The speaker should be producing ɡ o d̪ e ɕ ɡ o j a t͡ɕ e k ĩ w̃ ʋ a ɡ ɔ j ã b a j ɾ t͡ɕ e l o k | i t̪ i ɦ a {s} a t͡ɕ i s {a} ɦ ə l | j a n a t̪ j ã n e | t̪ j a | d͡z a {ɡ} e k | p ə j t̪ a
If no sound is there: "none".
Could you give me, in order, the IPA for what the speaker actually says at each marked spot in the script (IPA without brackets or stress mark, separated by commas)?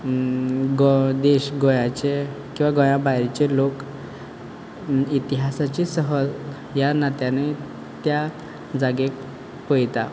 s, ə, ɡ